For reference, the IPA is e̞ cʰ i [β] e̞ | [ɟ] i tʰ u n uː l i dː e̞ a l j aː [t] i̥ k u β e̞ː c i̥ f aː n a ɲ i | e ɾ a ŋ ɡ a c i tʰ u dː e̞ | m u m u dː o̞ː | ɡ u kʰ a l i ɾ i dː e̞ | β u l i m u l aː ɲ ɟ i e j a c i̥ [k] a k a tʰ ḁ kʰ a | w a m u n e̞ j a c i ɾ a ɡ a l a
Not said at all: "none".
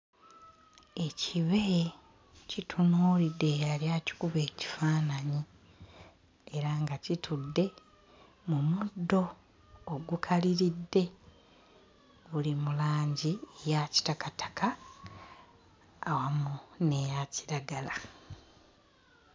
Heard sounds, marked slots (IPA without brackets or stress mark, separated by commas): β, c, c, t